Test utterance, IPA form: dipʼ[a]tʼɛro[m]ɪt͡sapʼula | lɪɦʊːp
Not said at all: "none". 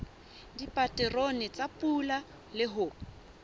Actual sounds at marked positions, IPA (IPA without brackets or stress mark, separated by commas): a, n